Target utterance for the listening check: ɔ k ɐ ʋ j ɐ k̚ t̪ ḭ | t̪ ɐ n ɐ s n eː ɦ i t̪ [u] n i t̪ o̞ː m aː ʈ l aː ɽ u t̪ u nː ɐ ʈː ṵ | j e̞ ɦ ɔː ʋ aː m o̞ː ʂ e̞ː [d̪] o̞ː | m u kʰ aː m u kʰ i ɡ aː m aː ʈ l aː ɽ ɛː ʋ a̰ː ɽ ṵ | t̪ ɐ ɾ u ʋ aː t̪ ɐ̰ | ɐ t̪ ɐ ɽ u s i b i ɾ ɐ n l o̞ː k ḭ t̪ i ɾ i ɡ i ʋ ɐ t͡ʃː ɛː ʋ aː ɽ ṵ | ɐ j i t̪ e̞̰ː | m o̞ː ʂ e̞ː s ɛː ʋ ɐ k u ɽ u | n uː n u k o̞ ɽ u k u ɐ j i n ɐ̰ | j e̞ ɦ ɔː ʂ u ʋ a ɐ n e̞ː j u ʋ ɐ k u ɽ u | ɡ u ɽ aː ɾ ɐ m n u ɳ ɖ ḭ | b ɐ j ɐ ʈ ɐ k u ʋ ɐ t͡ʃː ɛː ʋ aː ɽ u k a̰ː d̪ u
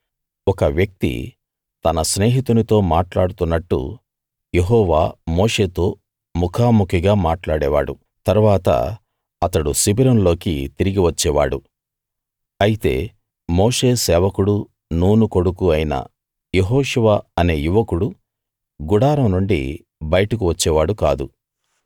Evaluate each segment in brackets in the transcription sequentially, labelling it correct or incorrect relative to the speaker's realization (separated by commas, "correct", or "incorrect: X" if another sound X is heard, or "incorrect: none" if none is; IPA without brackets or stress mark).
correct, incorrect: t̪